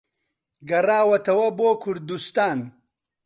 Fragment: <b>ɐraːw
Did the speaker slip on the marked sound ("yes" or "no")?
yes